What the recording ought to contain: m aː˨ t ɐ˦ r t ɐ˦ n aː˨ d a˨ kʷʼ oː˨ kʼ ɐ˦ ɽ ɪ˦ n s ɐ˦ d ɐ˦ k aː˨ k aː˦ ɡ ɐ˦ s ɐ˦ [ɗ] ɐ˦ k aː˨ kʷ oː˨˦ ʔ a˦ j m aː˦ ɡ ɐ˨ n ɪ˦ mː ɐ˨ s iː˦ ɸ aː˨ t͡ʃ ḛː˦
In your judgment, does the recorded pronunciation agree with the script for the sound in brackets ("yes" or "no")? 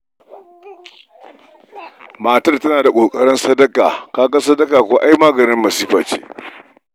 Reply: no